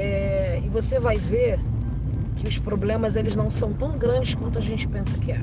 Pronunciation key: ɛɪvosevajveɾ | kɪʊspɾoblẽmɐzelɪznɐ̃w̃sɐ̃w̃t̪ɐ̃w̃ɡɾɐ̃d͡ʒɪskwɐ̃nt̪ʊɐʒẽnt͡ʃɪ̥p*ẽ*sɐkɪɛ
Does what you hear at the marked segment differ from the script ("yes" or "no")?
no